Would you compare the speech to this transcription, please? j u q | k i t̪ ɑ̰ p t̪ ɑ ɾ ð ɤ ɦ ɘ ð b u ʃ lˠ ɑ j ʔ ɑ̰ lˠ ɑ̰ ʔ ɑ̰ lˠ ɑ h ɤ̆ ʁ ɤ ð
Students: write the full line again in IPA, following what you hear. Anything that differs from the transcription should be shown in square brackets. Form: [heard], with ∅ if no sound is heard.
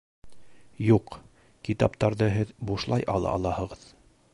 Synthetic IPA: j u q | k i t̪ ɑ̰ p t̪ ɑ ɾ ð ɤ ɦ ɘ ð b u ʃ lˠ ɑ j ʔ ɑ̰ lˠ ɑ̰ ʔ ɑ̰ lˠ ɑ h ɤ̆ ʁ ɤ ð